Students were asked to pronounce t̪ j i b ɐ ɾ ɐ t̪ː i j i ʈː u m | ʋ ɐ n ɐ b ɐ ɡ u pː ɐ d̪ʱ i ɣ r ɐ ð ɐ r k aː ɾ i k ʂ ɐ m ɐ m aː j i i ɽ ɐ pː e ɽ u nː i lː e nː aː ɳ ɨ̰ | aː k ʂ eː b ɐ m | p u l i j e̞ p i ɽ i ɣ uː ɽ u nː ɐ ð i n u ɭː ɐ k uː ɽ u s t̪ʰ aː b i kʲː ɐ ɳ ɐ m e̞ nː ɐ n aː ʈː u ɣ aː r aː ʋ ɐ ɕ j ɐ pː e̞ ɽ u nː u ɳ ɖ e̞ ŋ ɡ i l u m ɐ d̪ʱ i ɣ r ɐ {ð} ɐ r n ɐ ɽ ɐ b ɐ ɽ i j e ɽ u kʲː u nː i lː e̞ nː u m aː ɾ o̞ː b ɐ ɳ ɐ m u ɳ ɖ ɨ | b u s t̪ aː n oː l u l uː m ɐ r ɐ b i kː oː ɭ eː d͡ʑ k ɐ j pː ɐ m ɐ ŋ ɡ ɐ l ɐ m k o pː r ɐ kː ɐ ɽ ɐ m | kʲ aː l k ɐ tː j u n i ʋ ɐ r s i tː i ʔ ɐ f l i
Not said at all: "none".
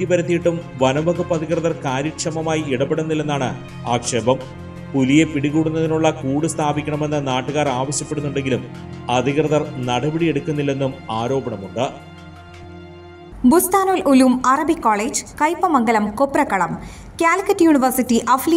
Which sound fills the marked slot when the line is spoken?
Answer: ð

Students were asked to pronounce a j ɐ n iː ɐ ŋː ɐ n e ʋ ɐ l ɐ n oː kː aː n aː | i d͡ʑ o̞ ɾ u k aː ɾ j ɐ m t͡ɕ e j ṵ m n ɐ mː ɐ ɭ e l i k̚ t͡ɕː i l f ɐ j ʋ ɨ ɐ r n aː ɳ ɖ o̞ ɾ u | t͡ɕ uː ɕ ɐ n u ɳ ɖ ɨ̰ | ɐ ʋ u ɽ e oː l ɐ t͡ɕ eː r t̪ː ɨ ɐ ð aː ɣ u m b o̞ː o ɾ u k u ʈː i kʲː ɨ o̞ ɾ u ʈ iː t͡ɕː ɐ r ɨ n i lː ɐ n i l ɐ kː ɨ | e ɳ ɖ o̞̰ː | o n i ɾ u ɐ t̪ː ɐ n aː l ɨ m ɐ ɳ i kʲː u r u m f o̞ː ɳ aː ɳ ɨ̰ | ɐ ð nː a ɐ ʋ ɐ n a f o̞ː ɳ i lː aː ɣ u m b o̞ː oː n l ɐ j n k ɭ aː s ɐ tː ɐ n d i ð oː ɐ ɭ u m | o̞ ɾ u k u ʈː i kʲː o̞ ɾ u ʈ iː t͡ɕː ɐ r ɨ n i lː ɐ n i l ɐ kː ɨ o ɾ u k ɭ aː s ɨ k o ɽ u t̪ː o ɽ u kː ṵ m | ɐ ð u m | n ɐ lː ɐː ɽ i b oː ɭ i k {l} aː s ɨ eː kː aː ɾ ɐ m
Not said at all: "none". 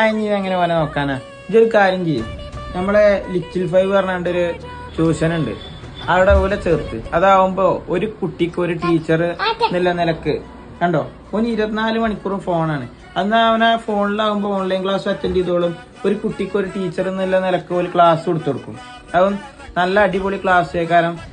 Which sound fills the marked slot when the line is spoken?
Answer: ɭ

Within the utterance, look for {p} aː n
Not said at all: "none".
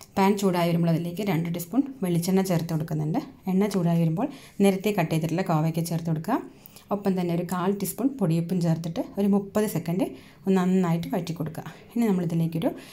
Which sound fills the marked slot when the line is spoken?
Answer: p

